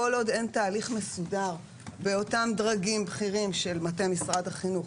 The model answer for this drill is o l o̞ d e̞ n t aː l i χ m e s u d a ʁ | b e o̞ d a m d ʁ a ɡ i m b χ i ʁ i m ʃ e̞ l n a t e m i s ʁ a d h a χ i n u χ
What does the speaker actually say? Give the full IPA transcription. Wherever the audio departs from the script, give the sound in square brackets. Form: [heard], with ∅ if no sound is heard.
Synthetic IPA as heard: o l o̞ d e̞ n t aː l i χ m e s u d a ʁ | b e o̞ [t] a m d ʁ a ɡ i m b χ i ʁ i m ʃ e̞ l [m] a t e m i s ʁ a d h a χ i n u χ